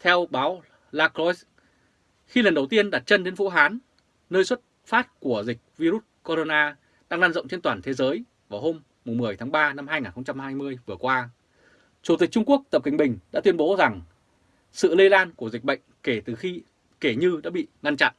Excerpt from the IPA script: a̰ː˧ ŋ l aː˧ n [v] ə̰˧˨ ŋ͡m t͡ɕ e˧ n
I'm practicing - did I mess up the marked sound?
yes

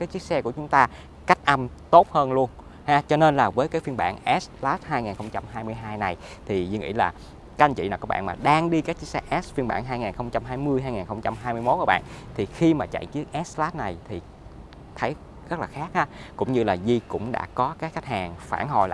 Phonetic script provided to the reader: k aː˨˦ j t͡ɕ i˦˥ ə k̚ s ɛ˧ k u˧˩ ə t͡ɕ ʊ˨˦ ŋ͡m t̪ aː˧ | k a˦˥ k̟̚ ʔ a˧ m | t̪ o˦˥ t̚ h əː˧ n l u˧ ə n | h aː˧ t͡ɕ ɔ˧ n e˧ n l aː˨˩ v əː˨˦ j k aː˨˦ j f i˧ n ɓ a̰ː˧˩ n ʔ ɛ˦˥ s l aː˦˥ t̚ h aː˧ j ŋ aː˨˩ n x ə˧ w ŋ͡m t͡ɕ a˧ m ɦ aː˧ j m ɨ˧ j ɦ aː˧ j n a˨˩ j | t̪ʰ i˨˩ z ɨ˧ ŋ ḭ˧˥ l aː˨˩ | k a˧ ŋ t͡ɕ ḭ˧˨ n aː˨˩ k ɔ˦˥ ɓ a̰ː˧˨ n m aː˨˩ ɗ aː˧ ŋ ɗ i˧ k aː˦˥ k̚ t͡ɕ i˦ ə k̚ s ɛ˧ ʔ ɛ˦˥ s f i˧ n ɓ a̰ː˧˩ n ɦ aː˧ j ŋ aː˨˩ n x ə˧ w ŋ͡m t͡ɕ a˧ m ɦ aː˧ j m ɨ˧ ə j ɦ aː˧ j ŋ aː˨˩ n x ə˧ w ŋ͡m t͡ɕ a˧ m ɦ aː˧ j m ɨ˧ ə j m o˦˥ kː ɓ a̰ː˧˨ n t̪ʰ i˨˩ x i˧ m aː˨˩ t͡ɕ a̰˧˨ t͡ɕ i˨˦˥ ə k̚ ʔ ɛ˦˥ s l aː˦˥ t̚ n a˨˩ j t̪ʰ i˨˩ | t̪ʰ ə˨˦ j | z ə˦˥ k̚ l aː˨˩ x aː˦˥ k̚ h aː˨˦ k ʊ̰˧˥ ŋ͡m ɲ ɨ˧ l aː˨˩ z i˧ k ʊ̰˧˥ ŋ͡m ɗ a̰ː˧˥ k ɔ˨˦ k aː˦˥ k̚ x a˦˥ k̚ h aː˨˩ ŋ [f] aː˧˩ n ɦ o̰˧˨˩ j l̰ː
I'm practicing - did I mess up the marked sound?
no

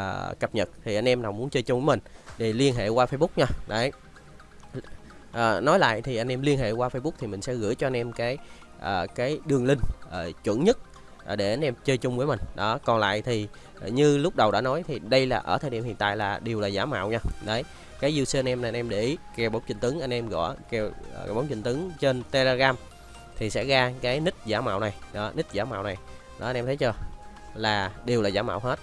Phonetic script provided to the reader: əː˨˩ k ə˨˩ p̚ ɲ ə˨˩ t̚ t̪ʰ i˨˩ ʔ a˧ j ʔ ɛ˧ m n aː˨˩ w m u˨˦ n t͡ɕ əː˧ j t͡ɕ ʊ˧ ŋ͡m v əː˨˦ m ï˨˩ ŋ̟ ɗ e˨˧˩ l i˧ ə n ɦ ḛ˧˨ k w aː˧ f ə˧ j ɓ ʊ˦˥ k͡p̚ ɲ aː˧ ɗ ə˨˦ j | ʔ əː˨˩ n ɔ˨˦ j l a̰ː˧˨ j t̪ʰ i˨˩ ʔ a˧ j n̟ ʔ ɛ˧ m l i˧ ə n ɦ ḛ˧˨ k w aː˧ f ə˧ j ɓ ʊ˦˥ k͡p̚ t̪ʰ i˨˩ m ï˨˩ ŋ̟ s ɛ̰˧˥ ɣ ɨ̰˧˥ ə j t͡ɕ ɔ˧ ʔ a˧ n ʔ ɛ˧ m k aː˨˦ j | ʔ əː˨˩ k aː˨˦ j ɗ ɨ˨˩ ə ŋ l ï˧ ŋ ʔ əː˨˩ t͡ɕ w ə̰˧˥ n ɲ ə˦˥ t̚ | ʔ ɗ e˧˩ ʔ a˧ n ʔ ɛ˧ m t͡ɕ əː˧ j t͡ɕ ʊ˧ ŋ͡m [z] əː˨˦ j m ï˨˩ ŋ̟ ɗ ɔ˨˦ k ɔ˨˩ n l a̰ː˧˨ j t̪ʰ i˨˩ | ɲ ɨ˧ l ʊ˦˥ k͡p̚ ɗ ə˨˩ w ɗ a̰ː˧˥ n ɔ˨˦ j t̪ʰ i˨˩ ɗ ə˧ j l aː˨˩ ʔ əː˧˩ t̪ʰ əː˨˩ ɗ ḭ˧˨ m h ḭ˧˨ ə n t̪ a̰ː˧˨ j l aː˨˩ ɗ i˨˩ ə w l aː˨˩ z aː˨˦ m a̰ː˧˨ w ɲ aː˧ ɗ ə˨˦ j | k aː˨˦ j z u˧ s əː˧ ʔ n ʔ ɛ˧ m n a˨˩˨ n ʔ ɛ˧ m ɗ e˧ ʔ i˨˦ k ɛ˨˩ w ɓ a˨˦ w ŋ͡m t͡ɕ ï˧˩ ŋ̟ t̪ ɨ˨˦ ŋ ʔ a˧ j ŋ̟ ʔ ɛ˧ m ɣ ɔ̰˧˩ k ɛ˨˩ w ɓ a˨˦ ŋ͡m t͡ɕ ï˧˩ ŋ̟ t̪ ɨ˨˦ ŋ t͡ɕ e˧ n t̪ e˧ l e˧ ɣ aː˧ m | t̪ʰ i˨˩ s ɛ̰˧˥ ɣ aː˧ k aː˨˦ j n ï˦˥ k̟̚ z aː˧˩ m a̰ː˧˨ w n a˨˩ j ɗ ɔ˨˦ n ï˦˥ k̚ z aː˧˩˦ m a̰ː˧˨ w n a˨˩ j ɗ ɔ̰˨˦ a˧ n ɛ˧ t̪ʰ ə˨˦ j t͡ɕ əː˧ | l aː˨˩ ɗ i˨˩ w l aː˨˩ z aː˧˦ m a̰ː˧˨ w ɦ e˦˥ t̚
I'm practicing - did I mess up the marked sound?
yes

